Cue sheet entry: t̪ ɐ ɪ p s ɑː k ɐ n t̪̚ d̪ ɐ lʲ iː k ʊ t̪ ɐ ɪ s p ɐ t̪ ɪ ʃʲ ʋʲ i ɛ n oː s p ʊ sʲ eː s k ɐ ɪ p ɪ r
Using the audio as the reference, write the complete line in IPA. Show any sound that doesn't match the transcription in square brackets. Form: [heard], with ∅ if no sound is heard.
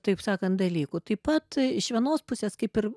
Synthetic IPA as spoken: t̪ ɐ ɪ p s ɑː k ɐ n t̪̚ d̪ ɐ lʲ iː k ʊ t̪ ɐ ɪ [∅] p ɐ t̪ ɪ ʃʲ ʋʲ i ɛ n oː s p ʊ sʲ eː s k ɐ ɪ p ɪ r